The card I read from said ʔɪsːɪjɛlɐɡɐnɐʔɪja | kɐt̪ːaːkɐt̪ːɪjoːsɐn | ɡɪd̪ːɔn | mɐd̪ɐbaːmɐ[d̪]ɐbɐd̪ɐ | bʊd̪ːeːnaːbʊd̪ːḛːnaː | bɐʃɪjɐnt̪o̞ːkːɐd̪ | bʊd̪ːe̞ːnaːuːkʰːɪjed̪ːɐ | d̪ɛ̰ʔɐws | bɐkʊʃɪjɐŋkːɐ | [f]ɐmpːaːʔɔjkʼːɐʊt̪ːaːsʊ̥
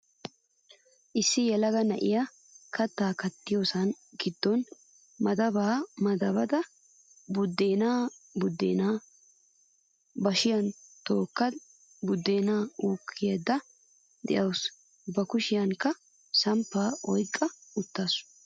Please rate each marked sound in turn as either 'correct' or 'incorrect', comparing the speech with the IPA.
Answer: correct, incorrect: s

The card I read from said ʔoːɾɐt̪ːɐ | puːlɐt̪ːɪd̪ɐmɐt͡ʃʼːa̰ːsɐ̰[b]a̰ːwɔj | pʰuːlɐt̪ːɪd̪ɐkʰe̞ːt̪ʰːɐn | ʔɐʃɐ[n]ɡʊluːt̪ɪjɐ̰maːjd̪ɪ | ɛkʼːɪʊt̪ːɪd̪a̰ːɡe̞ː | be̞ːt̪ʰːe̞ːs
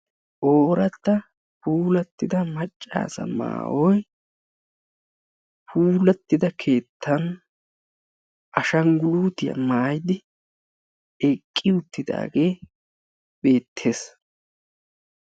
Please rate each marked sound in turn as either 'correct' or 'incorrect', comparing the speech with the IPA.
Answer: incorrect: m, incorrect: ŋ

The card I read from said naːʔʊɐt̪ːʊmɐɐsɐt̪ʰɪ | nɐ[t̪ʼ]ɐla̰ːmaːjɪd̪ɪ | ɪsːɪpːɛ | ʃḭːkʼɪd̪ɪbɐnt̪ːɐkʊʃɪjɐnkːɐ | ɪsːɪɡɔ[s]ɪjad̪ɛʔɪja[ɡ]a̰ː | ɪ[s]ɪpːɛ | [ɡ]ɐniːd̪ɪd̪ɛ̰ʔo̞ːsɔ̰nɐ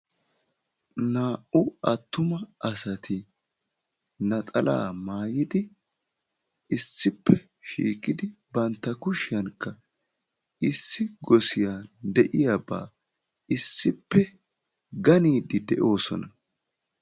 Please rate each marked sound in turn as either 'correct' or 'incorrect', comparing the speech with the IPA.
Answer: correct, correct, incorrect: b, incorrect: sː, correct

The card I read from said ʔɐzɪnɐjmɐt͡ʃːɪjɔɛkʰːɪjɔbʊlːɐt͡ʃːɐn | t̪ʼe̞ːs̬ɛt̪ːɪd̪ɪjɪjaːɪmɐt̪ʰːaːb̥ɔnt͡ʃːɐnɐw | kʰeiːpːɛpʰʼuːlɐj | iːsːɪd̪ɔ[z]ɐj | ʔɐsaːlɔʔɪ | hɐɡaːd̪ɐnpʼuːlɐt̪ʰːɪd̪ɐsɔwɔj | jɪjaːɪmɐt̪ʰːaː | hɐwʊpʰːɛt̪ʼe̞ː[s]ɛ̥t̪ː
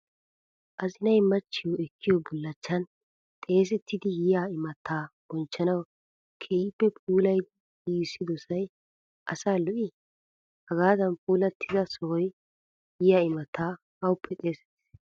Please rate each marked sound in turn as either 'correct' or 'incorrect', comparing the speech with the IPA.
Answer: incorrect: s, correct

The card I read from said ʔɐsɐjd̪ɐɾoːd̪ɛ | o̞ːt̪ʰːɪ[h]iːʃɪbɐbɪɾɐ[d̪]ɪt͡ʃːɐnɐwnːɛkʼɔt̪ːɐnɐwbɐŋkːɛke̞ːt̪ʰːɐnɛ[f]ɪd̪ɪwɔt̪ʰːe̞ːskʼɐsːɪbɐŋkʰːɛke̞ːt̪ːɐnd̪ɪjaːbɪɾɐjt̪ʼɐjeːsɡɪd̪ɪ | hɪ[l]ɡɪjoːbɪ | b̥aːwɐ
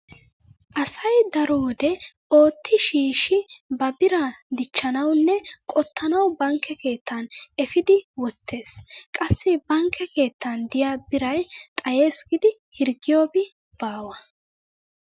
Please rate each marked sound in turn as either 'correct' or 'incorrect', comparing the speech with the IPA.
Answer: incorrect: ʃ, correct, correct, incorrect: ɾ

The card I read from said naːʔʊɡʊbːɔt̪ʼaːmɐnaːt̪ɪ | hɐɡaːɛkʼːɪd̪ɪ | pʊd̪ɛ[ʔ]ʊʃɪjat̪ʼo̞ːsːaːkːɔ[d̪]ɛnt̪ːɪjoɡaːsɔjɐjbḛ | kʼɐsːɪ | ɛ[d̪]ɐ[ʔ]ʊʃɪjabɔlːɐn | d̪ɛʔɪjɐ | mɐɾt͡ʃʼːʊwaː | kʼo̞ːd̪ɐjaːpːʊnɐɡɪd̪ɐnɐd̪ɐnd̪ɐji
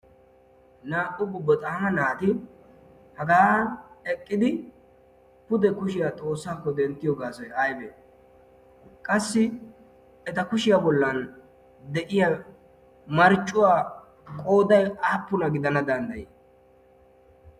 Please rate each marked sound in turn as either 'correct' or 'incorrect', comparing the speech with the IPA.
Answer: incorrect: k, correct, incorrect: t̪, incorrect: k

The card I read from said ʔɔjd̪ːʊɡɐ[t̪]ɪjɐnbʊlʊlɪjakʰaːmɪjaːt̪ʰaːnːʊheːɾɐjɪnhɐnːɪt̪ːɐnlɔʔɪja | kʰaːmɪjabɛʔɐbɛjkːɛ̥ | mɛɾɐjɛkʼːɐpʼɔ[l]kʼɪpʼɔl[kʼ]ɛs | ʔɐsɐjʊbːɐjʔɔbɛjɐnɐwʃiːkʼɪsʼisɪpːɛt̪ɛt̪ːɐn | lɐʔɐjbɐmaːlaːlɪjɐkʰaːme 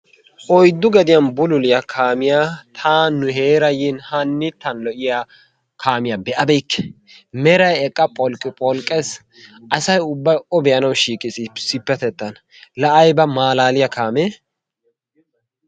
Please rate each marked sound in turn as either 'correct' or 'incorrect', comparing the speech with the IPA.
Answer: incorrect: d̪, correct, correct

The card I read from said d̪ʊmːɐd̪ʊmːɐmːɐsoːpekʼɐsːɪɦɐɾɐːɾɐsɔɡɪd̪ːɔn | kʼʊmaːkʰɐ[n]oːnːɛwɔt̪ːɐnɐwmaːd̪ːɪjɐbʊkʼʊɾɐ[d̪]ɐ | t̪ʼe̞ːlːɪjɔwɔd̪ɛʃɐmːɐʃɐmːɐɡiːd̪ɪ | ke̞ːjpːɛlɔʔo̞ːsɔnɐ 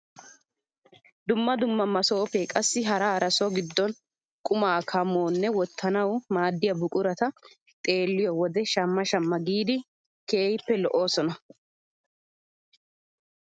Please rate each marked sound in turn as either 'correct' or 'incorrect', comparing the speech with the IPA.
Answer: incorrect: m, incorrect: t̪

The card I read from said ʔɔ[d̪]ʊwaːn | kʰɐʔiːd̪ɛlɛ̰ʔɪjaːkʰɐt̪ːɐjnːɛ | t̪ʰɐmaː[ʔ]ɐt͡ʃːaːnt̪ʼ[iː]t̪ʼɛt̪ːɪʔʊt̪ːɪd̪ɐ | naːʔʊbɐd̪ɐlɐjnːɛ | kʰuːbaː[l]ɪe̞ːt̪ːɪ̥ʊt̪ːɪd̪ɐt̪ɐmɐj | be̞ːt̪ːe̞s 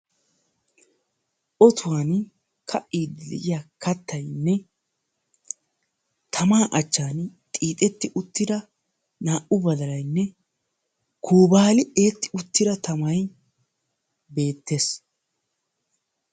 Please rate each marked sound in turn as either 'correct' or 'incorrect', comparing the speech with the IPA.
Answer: incorrect: t̪, correct, correct, correct

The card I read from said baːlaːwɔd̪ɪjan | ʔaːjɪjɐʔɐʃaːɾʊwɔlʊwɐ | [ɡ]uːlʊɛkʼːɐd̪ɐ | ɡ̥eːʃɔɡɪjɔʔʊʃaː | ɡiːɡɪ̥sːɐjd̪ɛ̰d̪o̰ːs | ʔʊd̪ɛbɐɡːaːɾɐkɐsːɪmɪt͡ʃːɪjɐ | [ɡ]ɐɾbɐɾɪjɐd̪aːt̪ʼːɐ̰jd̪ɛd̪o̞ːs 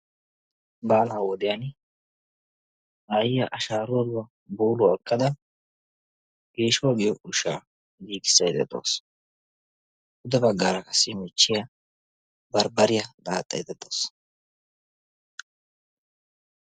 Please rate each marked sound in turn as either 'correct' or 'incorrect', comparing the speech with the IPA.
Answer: incorrect: b, incorrect: b

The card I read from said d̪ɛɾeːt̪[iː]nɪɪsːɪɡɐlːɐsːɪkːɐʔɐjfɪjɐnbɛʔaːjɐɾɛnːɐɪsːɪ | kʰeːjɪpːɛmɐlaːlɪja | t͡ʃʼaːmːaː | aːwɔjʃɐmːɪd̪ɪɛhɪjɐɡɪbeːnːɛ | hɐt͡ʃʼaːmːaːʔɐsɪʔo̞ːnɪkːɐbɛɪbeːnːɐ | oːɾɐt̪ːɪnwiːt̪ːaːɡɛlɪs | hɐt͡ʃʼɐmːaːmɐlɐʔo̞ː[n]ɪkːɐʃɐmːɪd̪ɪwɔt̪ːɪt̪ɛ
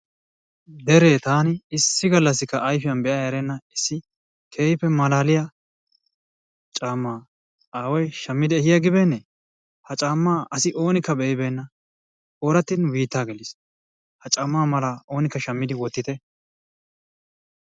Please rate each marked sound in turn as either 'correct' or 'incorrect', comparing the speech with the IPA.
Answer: incorrect: aː, correct

